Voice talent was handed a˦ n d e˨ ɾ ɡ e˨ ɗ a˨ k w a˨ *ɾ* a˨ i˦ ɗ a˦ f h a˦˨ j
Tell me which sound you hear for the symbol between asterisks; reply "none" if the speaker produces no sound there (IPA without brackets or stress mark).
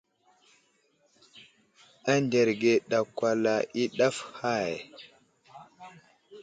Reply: l